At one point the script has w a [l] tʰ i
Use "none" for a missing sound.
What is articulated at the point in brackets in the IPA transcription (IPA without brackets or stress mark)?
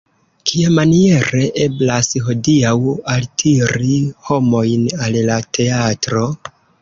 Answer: l